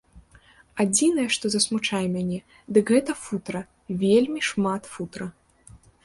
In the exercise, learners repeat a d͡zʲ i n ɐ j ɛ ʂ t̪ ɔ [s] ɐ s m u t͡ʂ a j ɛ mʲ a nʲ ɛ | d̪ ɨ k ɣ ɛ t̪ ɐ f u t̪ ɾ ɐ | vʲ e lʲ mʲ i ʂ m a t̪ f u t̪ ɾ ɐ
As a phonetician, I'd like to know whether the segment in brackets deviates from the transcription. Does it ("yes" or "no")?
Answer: yes